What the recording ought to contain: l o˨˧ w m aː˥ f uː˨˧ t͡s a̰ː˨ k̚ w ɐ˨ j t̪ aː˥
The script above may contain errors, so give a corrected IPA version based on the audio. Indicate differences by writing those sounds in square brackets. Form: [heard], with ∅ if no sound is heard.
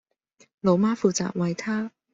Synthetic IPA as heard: l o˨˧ w m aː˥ f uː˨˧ t͡s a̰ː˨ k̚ w ɐ˨ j [t̪ʰ] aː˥

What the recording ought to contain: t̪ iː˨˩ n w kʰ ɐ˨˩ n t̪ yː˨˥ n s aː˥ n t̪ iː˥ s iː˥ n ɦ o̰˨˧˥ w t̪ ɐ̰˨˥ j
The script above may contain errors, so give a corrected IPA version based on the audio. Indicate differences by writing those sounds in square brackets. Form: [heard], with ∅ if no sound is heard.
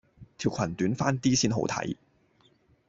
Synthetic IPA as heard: [t̪ʰ] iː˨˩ [∅] w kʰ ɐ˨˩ n t̪ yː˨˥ n [f] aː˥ n t̪ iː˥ s iː˥ n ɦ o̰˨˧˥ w [t̪ʰ] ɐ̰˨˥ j

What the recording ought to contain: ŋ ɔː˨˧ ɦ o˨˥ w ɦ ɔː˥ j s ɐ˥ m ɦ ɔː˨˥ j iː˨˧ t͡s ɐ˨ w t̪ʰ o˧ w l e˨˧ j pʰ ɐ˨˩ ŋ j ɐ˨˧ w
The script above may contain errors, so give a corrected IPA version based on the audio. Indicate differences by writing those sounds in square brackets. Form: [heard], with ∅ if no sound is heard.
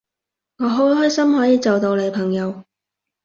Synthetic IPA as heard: ŋ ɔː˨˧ ɦ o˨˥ w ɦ ɔː˥ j s ɐ˥ m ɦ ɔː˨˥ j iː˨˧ t͡s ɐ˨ w [t̪] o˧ w l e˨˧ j pʰ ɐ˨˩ ŋ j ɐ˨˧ w

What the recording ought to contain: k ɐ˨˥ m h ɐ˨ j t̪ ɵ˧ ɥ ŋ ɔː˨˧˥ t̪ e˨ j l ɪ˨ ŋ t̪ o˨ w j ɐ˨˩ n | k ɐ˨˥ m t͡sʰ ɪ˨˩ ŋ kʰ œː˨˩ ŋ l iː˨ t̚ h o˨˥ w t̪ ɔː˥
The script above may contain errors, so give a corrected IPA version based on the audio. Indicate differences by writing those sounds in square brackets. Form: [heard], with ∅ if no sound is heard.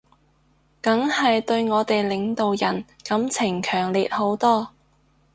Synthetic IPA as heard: k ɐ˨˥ [ŋ] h ɐ˨ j t̪ ɵ˧ ɥ ŋ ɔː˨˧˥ t̪ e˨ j l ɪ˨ ŋ t̪ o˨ w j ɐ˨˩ n | k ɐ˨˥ m t͡sʰ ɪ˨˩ ŋ kʰ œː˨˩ ŋ l iː˨ t̚ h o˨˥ w t̪ ɔː˥

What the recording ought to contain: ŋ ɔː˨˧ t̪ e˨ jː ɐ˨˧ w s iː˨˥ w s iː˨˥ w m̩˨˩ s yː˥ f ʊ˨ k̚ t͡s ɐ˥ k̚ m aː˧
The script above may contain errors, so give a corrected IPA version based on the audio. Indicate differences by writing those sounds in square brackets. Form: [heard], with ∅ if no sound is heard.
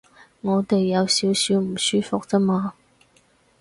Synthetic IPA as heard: ŋ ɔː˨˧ t̪ e˨ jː ɐ˨˧ w s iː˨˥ w s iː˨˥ w m̩˨˩ s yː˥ f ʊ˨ k̚ t͡s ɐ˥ [∅] m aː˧

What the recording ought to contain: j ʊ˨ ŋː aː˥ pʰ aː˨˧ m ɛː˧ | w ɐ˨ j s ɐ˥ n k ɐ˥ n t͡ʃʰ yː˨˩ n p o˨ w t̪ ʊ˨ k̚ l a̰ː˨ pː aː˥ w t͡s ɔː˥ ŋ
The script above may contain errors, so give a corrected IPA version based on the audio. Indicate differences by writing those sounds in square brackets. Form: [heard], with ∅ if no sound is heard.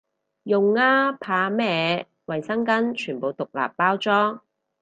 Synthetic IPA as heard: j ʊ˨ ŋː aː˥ pʰ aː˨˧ m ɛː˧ | w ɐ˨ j s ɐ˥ [ŋ] k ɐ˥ n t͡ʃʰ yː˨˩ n p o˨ w t̪ ʊ˨ k̚ l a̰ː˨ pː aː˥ w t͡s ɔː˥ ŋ

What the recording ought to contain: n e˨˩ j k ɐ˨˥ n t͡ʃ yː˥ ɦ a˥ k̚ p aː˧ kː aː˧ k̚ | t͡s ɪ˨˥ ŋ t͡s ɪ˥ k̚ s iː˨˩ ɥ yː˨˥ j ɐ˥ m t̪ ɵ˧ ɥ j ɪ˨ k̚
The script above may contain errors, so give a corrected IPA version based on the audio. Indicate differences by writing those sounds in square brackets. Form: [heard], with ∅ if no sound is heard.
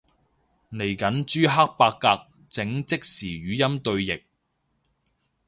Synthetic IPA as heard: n e˨˩ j k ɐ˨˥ n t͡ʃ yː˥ ɦ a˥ k̚ p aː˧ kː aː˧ k̚ | t͡s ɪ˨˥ ŋ t͡s ɪ˥ k̚ s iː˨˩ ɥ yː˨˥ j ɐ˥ m t̪ ɵ˧ ɥ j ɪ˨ k̚

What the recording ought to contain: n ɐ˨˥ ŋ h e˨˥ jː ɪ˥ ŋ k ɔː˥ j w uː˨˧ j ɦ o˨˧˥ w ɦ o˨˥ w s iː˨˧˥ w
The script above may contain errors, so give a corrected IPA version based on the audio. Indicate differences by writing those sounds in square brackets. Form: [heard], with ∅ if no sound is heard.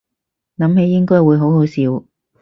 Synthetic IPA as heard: n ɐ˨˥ [m] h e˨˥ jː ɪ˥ ŋ k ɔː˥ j w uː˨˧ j ɦ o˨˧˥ w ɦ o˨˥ w s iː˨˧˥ w

